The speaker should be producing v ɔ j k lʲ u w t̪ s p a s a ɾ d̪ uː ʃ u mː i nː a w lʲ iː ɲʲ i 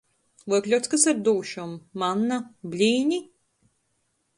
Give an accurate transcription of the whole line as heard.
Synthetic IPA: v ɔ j k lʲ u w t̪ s k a s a ɾ d̪ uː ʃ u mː a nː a b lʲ iː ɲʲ i

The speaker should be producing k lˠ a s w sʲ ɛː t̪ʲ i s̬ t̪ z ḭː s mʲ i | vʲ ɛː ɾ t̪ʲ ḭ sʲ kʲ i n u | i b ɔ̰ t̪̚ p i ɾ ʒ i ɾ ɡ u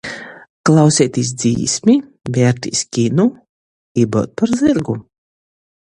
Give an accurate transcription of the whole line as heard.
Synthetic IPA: k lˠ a w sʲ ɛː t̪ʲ i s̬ d̪ z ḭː s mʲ i | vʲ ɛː ɾ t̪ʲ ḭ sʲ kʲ i n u | i b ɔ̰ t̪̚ p a ɾ z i ɾ ɡ u

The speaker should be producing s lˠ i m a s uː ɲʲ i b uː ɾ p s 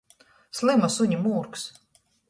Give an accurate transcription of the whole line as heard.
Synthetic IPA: s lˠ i m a s u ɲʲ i m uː ɾ k s

